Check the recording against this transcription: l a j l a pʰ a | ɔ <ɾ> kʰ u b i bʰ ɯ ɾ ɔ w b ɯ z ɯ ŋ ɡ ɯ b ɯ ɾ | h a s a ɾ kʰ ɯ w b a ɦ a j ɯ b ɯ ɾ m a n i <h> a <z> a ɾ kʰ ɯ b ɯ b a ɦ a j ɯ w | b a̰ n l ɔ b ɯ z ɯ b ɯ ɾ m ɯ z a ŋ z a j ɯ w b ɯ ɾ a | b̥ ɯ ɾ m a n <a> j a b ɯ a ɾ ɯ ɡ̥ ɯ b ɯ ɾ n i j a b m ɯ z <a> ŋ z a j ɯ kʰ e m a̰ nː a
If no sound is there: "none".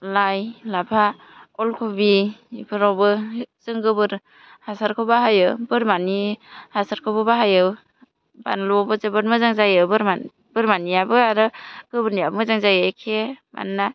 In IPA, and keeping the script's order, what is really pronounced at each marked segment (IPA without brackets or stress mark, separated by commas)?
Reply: l, h, s, i, a